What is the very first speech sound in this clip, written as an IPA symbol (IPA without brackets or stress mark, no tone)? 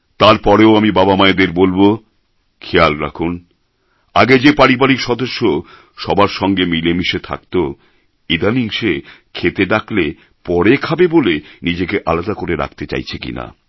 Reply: t̪